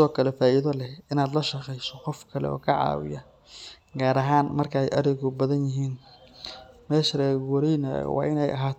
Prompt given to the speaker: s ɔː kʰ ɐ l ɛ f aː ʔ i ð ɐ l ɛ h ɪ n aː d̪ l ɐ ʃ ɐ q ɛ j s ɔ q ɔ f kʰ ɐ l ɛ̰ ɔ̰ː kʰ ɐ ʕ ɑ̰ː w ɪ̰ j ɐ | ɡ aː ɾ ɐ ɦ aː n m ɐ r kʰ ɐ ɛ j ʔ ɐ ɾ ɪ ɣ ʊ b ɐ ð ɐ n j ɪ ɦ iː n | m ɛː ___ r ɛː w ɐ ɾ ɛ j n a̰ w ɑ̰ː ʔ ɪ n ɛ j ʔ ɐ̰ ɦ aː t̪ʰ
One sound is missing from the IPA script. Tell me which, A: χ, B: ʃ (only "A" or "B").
B